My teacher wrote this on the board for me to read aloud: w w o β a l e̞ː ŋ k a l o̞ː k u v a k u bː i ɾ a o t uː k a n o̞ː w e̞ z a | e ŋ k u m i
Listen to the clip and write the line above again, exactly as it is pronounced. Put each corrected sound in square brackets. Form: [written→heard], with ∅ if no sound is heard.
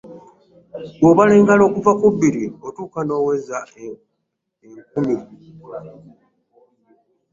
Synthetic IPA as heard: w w o β a l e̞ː ŋ [k→ɡ] a l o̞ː k u v a k u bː i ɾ [a→i] o t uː k a n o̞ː w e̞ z a | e ŋ k u m i